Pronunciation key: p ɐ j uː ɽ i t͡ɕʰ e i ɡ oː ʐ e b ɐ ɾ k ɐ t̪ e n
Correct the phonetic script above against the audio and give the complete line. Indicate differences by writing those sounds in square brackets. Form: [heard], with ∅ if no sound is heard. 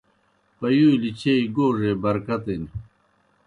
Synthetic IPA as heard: p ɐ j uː [l] i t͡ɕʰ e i ɡ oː ʐ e b ɐ ɾ k ɐ t̪ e n